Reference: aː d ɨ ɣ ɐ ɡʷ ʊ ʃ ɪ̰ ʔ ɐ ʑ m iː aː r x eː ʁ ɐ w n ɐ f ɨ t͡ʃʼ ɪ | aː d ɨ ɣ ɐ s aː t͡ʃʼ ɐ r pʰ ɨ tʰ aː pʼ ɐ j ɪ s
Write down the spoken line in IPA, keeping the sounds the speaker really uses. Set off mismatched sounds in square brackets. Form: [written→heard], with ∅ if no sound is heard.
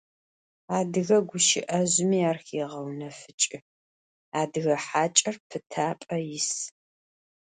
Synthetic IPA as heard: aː d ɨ ɣ ɐ ɡʷ ʊ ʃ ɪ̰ ʔ ɐ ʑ m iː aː r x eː ʁ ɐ w n ɐ f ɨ t͡ʃʼ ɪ | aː d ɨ ɣ ɐ [s→ħ] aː t͡ʃʼ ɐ r pʰ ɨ tʰ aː pʼ ɐ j ɪ s